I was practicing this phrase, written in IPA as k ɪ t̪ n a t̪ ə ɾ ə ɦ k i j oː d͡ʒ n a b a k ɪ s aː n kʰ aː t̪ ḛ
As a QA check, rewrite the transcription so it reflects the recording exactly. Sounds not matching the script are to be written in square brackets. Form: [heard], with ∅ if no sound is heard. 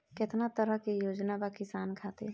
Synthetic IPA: k ɪ t̪ n a t̪ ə ɾ ə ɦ k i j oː d͡ʒ n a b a k ɪ s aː n kʰ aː t̪ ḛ